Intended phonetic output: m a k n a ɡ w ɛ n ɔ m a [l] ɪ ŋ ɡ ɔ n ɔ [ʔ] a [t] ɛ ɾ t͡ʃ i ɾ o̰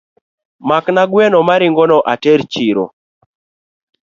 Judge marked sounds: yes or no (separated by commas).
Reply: no, yes, yes